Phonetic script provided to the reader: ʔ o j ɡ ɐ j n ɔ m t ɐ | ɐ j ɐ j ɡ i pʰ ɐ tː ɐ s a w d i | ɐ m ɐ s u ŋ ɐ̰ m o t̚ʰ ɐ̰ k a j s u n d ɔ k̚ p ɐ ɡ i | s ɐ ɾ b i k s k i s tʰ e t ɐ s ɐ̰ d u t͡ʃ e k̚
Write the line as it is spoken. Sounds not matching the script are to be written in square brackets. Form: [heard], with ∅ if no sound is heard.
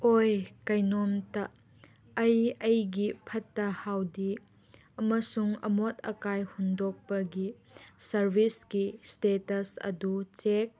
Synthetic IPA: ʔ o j [k] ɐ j n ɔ m t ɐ | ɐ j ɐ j ɡ i pʰ ɐ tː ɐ [h] a w d i | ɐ m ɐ s u ŋ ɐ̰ m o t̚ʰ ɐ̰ k a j [h] u n d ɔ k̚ p ɐ ɡ i | s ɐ ɾ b i [∅] s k i s [t] e t ɐ s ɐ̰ d u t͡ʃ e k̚